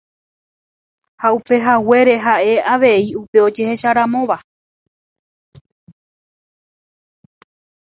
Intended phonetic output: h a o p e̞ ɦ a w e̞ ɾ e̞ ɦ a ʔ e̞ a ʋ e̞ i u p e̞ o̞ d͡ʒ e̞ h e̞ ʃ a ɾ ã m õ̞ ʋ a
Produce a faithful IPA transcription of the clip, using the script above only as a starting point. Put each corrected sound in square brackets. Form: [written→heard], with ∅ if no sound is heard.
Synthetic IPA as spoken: h a [o→u] p e̞ ɦ a w e̞ ɾ e̞ ɦ a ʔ e̞ a ʋ e̞ i u p e̞ o̞ d͡ʒ e̞ h e̞ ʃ a ɾ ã m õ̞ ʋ a